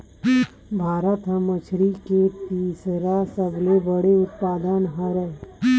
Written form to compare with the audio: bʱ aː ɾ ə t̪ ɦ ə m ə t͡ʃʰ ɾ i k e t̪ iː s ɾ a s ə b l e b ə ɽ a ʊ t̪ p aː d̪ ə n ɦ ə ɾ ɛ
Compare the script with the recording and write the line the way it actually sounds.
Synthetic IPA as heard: bʱ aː ɾ ə t̪ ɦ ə m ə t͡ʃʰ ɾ i k e t̪ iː s ɾ a s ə b l e b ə ɽ e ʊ t̪ p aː d̪ ə n ɦ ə ɾ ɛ